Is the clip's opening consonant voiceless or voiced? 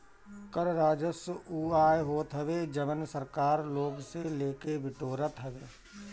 voiceless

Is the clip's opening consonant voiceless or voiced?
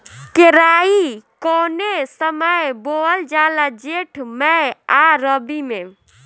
voiceless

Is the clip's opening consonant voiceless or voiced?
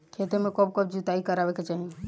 voiceless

